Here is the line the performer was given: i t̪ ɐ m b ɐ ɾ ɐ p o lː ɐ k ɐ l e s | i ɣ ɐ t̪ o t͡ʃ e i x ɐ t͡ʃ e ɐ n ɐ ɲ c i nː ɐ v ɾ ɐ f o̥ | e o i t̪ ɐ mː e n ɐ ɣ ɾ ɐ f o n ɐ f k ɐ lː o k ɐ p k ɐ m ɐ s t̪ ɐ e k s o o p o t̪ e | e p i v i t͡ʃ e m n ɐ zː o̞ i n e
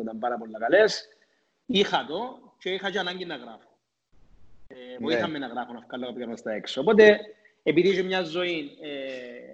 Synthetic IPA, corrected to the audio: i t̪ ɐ m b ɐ ɾ ɐ p o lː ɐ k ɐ l e s | i x ɐ t̪ o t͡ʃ e i x ɐ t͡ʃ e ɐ n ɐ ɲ ɟ i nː ɐ ɣ ɾ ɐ f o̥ | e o i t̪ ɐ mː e n ɐ ɣ ɾ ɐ f o n ɐ f k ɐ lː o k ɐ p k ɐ m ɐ s t̪ ɐ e k s o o p o t̪ e | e p i ð i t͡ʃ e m ɲ ɐ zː o̞ i n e